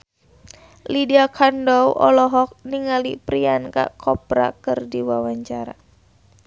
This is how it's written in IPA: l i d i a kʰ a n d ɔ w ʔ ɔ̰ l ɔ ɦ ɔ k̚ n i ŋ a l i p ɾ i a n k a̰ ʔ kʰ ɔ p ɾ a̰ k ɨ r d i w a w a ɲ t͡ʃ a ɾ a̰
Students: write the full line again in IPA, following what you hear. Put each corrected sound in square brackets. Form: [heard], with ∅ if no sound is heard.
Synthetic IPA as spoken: l i d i a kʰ a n d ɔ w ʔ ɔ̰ l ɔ ɦ ɔ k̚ n i ŋ a l i p ɾ i a n k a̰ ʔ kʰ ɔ p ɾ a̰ k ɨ r d i w a w a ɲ t͡ʃ a ɾ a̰